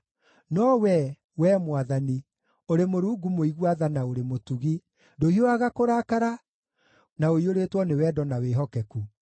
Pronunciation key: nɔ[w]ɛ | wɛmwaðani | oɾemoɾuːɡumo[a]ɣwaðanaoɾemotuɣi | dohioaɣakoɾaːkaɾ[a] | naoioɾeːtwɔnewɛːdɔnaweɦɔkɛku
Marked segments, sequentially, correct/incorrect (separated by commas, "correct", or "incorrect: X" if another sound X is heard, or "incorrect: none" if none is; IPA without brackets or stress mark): correct, incorrect: i, correct